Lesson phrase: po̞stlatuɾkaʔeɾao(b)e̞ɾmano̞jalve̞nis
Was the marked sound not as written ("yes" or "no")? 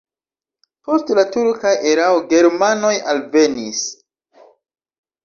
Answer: yes